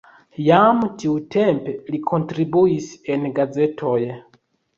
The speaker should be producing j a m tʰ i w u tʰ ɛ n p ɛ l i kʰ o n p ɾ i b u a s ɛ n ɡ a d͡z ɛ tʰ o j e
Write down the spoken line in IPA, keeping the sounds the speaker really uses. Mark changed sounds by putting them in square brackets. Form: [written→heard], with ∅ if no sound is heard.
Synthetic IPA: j a m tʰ i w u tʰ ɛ [n→m] p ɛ l i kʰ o n [p→t] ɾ i b u [a→i] s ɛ n ɡ a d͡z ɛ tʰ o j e